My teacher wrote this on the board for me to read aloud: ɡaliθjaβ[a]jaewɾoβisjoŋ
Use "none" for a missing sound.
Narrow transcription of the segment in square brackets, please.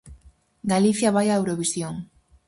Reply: a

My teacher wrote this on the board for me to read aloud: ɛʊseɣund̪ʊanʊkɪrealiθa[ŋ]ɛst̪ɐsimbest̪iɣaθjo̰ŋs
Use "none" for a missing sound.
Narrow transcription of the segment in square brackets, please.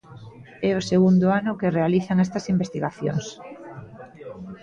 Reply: ŋ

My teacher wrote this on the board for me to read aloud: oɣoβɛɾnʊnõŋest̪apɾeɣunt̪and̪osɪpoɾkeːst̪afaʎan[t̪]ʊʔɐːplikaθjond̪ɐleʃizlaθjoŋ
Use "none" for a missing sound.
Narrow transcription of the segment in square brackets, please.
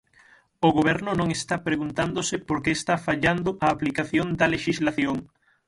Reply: d̪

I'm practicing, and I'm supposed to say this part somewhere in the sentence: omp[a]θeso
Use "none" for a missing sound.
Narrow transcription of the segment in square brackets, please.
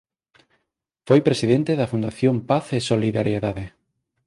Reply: a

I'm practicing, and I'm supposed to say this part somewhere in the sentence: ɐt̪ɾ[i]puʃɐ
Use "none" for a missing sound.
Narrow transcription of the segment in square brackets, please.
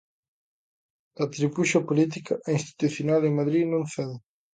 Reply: i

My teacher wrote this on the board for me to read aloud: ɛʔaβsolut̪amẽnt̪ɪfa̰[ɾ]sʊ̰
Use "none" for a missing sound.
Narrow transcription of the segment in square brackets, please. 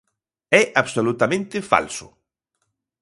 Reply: l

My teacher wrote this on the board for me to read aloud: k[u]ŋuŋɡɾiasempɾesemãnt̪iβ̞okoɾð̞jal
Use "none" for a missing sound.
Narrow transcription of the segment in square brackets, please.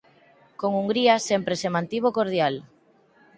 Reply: o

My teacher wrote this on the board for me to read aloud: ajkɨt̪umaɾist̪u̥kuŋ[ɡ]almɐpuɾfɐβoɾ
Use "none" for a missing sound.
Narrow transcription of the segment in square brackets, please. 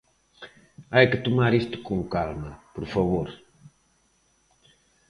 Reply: k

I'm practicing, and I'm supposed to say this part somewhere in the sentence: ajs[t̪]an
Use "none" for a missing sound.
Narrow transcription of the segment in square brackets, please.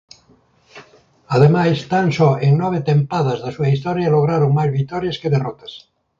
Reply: t̪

